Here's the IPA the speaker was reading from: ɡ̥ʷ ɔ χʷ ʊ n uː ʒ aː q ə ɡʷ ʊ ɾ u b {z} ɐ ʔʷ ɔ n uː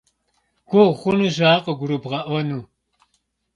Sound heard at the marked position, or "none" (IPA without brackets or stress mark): ʁ